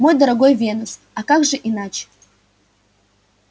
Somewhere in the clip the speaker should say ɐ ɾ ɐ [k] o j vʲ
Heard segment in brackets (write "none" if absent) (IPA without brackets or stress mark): ɡ